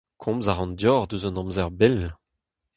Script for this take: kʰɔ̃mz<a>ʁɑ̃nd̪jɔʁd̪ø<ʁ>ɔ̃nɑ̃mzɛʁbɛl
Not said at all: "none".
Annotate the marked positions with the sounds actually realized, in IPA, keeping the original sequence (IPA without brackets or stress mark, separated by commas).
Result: a, z